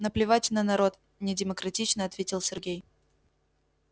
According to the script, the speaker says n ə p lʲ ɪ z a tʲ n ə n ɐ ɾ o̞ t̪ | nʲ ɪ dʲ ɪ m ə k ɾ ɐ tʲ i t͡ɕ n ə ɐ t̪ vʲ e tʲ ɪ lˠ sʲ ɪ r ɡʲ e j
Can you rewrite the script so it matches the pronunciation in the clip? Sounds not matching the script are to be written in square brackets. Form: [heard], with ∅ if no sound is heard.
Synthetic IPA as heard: n ə p lʲ ɪ [v] a tʲ n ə n ɐ ɾ o̞ t̪ | nʲ ɪ dʲ ɪ m ə k ɾ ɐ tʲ i t͡ɕ n ə ɐ t̪ vʲ e tʲ ɪ lˠ sʲ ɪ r ɡʲ e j